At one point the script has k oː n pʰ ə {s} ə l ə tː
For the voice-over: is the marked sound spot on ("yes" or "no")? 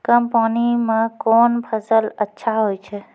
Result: yes